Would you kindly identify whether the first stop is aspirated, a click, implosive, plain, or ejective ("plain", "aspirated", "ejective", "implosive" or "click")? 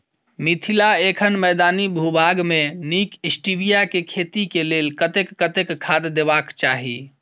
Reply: aspirated